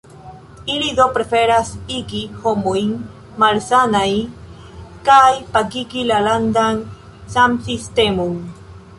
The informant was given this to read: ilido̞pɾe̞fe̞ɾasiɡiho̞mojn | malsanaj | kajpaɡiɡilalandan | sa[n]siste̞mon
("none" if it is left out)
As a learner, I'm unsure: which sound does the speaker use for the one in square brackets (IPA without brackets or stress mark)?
m